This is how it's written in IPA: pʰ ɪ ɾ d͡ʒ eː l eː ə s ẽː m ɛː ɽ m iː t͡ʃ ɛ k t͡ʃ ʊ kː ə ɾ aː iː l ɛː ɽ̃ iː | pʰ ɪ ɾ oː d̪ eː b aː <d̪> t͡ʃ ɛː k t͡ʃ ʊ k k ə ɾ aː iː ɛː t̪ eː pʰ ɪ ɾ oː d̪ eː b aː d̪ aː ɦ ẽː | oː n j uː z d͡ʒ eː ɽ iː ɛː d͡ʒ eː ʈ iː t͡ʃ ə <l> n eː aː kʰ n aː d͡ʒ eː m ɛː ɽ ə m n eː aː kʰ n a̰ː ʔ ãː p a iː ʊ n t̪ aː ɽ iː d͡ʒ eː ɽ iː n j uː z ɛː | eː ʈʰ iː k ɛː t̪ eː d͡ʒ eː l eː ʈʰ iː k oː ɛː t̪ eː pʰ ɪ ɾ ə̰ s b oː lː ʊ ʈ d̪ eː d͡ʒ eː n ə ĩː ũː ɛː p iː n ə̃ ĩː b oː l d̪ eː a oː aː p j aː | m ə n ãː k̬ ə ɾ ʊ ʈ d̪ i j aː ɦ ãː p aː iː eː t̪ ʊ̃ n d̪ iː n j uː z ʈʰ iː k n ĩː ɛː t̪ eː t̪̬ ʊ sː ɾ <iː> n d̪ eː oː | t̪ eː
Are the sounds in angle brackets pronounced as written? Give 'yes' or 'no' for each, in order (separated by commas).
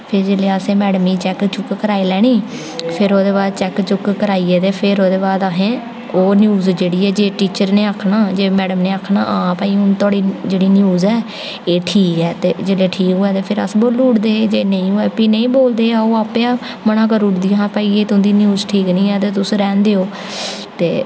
yes, no, no